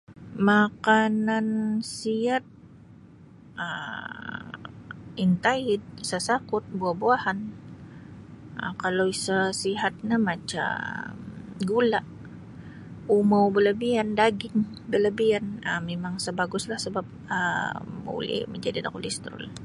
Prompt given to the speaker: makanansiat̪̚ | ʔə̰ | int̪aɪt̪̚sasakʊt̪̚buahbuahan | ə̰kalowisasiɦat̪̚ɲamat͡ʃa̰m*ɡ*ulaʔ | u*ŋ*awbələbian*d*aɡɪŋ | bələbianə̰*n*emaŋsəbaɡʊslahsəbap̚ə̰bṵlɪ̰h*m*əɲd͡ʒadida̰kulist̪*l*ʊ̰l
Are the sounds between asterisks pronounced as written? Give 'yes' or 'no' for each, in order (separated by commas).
yes, no, yes, no, yes, no